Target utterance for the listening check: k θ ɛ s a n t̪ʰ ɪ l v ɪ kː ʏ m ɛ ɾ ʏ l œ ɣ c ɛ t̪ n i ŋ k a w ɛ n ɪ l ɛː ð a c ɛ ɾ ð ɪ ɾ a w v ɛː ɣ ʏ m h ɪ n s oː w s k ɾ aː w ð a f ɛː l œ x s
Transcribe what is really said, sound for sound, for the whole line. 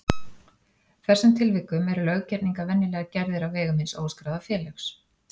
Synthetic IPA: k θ ɛ s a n t̪ʰ ɪ l v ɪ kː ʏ m ɛ ɾ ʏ l œ ɣ c ɛ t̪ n i ŋ k a v ɛ nː ɪ l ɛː ɣ a c ɛ ɾ ð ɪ ɾ a w v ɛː ɣ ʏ m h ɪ n s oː w s k ɾ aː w ð a f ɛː l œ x s